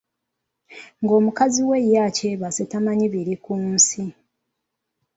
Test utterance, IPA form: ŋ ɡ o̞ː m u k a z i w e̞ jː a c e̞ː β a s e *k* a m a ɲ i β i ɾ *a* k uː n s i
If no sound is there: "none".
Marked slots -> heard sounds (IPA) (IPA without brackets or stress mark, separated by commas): t, i